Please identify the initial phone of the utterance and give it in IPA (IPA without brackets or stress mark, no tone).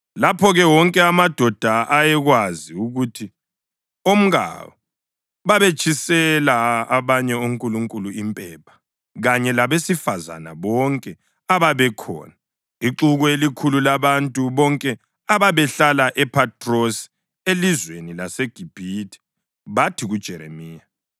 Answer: l